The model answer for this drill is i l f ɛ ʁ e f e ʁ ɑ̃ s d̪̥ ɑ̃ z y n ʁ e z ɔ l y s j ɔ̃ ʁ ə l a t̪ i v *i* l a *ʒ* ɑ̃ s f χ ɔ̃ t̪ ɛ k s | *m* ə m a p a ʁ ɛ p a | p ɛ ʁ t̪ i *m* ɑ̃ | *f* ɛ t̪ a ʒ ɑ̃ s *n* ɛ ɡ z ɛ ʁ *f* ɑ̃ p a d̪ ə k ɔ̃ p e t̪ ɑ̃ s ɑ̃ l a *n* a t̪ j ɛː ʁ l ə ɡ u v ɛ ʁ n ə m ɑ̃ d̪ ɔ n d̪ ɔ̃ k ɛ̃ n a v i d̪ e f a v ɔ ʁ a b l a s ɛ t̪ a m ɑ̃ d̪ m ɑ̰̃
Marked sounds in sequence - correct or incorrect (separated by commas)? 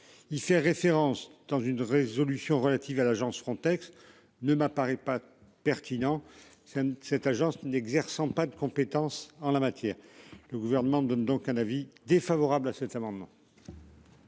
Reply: incorrect, correct, incorrect, incorrect, incorrect, correct, incorrect, incorrect